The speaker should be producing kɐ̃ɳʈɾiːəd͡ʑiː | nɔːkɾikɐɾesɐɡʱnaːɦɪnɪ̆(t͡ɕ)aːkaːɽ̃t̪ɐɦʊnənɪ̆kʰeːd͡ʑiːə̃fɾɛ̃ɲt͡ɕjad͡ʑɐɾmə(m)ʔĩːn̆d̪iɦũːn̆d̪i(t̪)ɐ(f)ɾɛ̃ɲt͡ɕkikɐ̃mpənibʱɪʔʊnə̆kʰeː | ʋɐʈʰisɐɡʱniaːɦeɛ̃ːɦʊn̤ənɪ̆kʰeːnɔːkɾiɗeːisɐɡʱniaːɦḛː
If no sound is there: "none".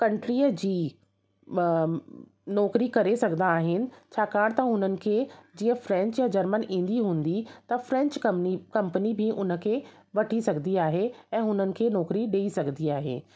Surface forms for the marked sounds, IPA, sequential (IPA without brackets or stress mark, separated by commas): t͡ɕʰ, n, t̪, f